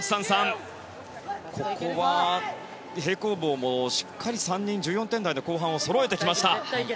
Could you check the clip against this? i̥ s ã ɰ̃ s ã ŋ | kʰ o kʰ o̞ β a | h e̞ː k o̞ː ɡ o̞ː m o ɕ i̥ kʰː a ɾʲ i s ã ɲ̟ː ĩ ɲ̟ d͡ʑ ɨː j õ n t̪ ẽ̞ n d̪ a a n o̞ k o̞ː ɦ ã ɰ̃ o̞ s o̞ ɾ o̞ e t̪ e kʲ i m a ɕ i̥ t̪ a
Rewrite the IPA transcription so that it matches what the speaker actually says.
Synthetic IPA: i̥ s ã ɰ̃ s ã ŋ | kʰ o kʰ o̞ β a | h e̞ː k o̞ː b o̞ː m o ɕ i̥ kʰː a ɾʲ i s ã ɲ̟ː ĩ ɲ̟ d͡ʑ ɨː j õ n t̪ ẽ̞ n d̪ a i n o̞ k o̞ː ɦ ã ɰ̃ o̞ s o̞ ɾ o̞ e t̪ e kʲ i m a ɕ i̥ t̪ a